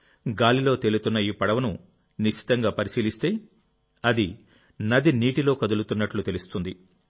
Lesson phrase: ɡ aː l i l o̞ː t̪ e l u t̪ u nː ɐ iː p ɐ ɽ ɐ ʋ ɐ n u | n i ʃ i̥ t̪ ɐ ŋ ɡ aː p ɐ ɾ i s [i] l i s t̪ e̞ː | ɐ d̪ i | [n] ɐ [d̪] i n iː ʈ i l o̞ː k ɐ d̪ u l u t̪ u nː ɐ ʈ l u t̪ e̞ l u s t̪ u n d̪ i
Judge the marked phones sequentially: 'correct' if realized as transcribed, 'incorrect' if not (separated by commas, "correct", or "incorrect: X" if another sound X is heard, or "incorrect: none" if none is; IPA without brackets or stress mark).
incorrect: iː, correct, correct